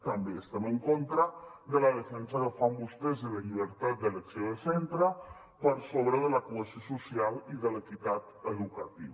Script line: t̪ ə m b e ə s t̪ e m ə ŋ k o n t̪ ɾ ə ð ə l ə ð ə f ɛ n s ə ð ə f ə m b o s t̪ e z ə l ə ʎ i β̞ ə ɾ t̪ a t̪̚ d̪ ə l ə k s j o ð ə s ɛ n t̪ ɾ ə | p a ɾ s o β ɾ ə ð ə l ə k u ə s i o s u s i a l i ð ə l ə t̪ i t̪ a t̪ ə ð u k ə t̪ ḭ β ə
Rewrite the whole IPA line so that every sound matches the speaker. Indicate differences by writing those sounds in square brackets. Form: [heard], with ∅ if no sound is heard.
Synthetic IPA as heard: t̪ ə m b e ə s t̪ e m ə ŋ k o n t̪ ɾ ə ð ə l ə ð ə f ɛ n s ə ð ə f [a] m b [u] s t̪ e z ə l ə ʎ i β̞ ə ɾ t̪ a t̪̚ d̪ ə l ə k s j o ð ə s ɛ n t̪ ɾ ə | p [ə] ɾ s o β ɾ ə ð ə l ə k u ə s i o s u s i a l i ð ə l ə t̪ i t̪ a t̪ ə ð u k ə t̪ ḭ β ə